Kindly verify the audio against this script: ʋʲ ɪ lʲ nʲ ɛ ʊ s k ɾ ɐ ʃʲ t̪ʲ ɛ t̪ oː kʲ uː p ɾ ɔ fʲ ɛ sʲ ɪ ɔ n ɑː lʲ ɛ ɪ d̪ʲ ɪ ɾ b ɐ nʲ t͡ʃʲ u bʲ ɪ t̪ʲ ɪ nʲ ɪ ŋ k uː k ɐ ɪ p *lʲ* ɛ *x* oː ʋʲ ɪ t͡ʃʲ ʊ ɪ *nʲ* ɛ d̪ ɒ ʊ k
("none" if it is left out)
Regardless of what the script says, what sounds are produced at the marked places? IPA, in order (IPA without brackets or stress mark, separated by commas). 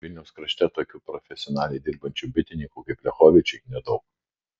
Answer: lʲ, x, nʲ